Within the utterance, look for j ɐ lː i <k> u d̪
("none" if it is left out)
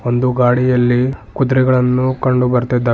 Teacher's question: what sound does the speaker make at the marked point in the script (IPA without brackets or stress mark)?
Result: k